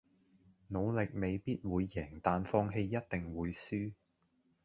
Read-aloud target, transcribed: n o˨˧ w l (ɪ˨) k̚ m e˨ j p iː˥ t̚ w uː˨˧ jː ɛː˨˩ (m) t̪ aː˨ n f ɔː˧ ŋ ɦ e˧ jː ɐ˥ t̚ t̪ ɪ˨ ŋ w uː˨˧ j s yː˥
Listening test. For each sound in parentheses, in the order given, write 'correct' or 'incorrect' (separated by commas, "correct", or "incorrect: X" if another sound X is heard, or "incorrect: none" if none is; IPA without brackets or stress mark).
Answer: correct, incorrect: ŋ